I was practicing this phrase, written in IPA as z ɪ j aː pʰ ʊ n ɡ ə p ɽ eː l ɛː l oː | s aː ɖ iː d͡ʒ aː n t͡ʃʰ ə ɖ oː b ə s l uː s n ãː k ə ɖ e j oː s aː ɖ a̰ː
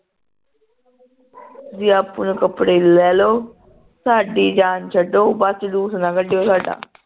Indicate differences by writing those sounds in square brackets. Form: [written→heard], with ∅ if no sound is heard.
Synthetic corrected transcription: z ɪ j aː [pʰ→p] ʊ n [ɡ→k] ə p ɽ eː l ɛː l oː | s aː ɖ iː d͡ʒ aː n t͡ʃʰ ə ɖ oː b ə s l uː s n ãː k ə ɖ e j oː s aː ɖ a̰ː